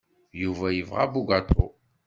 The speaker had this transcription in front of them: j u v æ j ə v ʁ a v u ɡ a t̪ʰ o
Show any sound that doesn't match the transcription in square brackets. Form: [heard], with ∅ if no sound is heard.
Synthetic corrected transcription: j u v æ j ə v ʁ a [b] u ɡ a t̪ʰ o